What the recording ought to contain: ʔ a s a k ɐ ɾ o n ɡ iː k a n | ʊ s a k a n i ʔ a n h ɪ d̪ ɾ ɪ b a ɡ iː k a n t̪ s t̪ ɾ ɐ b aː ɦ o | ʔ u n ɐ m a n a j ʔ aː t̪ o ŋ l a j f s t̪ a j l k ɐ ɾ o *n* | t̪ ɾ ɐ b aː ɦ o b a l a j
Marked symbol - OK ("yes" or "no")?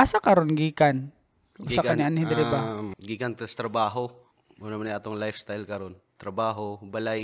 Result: yes